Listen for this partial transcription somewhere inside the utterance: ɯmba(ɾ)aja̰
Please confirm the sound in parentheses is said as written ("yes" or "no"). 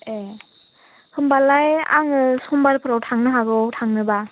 no